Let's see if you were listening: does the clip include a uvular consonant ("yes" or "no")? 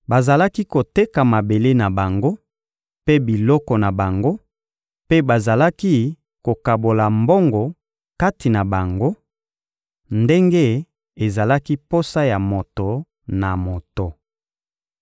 no